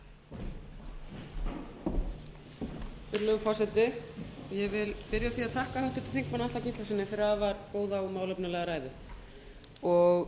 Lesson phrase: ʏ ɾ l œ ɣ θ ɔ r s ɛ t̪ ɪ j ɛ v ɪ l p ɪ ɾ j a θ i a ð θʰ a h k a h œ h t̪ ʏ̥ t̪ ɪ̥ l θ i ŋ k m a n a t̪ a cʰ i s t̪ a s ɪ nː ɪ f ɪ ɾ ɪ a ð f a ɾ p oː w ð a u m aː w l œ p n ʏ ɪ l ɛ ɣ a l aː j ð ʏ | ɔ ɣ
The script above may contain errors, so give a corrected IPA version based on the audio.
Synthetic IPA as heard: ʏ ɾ l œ ɣ f ɔ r s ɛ t̪ ɪ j ɛ v ɪ l p ɪ ɾ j a θ i a ð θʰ a h k a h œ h t̪ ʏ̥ t̪ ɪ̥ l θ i ŋ k m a n a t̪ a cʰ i s t̪ a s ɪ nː ɪ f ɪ ɾ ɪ a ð v a ɾ k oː w ð a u m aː w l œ p n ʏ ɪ l ɛ ɣ a ɾ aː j ð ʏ | ɔ ɣ